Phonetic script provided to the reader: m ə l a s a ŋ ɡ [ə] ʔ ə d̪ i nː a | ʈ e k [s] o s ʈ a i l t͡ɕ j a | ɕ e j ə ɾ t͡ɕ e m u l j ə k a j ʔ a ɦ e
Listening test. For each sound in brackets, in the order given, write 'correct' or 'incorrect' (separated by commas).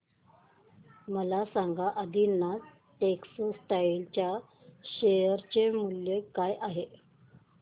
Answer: incorrect, correct